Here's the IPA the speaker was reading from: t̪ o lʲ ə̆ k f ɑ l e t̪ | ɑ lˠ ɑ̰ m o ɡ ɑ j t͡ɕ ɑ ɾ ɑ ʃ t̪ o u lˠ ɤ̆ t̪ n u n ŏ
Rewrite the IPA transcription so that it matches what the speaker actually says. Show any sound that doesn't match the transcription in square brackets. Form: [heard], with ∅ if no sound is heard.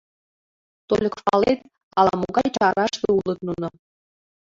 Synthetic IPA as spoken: t̪ o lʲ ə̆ k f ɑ l e t̪ | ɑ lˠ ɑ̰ m o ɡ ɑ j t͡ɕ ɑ ɾ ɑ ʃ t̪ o u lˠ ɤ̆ t̪ n u n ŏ